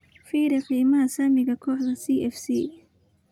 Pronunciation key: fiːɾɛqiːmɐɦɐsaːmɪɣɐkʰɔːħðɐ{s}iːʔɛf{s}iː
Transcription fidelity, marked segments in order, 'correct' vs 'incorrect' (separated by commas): correct, correct